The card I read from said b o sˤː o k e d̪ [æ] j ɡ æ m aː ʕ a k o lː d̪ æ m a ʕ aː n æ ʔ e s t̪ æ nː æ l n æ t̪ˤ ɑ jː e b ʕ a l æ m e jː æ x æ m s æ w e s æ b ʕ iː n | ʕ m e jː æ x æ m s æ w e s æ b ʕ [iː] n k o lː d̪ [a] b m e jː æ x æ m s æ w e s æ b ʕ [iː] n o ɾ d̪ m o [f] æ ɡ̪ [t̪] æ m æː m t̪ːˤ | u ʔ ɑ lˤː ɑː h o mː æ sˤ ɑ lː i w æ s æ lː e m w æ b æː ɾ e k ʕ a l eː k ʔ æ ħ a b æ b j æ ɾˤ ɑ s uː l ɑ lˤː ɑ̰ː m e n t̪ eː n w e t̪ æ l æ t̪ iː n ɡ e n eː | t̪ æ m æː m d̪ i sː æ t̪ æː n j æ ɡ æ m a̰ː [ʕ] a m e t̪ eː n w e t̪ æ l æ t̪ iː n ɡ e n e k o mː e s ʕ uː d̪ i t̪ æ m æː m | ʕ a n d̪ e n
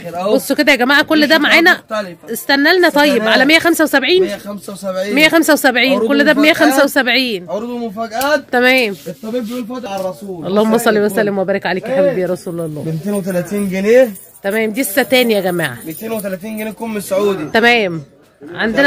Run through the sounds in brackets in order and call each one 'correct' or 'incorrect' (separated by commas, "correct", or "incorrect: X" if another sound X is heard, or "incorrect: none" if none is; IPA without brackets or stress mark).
correct, correct, incorrect: æ, correct, correct, correct, correct